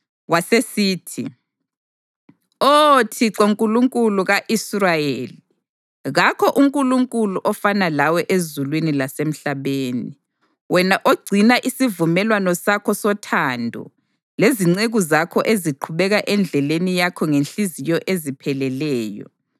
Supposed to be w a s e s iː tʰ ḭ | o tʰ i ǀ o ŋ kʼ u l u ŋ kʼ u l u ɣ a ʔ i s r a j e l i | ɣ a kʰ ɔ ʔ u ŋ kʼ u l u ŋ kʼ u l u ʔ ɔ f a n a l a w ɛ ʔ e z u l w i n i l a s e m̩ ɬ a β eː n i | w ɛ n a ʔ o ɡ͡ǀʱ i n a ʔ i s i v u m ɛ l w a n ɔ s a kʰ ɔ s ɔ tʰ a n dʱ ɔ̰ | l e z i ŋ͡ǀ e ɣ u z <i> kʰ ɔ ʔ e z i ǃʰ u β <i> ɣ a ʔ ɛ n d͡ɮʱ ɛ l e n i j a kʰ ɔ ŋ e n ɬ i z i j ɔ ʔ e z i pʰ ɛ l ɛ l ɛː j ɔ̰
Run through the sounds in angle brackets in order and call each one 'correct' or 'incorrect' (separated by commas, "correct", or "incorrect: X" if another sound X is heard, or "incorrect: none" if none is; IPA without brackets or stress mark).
incorrect: a, incorrect: ɛ